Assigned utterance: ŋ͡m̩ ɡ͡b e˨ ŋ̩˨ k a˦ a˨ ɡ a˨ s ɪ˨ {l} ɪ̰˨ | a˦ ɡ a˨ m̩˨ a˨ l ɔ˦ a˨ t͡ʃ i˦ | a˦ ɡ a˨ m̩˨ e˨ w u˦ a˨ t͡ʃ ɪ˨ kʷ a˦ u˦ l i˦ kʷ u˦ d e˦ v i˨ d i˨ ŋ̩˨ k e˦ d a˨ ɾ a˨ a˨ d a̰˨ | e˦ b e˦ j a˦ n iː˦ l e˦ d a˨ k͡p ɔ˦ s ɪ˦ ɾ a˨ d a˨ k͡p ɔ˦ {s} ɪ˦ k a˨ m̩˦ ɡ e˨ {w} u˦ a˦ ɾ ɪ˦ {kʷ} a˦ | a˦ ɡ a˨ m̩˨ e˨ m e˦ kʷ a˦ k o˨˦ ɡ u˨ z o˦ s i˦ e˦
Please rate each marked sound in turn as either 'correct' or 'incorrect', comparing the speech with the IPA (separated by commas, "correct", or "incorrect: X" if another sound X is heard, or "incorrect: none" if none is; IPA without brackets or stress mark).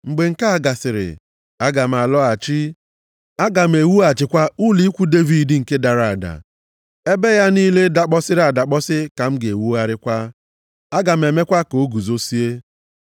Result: incorrect: ɾ, correct, correct, correct